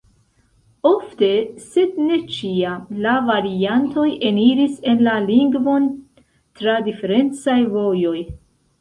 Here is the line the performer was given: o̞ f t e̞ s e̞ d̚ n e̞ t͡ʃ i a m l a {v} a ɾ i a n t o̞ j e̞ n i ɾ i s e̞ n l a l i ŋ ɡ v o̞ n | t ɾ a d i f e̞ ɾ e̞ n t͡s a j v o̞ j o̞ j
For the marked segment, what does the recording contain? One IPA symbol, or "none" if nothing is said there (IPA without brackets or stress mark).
v